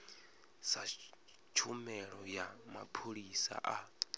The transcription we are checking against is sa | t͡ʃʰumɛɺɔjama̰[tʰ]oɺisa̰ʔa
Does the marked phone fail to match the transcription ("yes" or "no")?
yes